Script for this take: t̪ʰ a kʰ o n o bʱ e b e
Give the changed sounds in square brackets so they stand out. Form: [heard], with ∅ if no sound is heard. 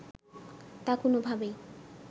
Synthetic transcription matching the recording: [t̪] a [k] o n o bʱ [a] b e